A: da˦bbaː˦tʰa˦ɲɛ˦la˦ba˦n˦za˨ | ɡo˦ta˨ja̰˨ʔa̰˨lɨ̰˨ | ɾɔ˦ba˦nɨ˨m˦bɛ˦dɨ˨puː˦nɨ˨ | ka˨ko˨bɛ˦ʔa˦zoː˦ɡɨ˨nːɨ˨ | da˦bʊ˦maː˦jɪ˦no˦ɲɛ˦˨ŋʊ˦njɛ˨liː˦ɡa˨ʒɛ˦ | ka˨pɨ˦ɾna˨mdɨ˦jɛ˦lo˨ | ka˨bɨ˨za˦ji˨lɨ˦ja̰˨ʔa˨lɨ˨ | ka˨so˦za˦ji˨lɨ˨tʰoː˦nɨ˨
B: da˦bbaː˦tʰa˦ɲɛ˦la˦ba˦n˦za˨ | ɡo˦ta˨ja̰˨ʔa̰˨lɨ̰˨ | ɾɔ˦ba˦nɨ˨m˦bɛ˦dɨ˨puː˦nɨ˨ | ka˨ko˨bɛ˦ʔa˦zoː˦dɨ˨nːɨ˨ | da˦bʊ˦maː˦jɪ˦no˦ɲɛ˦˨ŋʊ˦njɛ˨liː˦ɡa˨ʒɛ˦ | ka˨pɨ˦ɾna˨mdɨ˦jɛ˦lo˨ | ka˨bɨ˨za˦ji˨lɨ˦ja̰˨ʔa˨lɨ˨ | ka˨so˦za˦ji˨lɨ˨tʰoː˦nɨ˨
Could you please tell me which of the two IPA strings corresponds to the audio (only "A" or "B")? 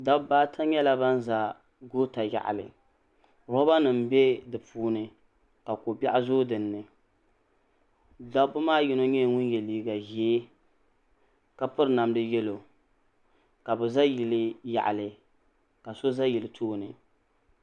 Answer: B